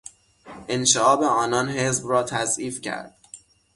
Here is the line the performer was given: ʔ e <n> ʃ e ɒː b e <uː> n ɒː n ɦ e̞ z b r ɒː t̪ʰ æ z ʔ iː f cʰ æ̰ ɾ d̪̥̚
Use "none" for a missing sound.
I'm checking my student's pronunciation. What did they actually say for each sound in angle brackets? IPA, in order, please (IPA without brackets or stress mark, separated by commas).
n, ɒː